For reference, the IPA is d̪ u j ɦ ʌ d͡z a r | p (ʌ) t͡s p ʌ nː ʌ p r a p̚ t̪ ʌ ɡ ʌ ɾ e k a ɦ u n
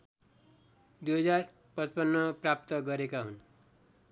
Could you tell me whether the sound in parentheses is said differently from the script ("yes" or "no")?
no